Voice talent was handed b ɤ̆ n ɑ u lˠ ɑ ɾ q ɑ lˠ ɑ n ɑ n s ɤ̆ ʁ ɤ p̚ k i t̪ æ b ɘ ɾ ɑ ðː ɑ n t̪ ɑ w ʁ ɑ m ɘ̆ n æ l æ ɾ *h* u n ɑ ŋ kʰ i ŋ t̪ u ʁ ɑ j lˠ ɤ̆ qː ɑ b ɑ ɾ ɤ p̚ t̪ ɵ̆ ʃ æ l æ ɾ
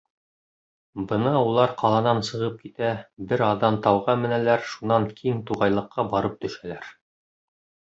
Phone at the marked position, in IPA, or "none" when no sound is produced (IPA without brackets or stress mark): ʃ